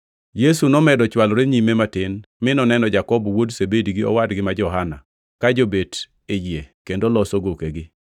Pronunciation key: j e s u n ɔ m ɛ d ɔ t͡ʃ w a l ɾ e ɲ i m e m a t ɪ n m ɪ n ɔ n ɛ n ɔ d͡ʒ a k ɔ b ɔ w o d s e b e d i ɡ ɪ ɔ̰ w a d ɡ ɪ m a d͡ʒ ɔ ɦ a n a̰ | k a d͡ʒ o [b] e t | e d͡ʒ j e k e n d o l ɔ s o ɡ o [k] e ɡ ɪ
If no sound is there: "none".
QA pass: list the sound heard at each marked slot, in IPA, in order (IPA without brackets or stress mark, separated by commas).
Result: b, k